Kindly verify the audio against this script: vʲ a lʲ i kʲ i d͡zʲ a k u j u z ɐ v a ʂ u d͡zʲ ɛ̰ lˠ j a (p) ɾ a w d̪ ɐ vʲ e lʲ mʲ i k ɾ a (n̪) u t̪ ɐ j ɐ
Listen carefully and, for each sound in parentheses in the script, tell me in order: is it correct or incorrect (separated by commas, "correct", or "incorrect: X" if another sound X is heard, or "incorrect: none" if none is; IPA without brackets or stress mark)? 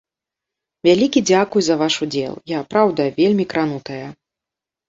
correct, correct